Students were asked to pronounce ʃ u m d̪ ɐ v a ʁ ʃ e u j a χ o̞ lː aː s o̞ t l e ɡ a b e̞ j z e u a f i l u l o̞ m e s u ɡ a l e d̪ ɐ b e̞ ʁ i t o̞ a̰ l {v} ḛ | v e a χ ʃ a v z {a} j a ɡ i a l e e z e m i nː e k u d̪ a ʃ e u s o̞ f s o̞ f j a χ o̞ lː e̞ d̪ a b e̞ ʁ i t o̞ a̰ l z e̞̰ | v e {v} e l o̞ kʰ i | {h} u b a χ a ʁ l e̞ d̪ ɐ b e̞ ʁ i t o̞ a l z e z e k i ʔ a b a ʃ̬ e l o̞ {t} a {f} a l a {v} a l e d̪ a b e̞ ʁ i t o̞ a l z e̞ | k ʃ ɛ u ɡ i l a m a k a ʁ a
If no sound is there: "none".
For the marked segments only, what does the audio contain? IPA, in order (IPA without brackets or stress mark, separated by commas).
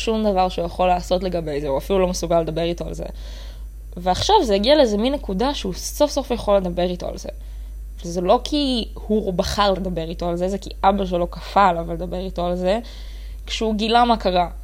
z, e, z, h, k, f, v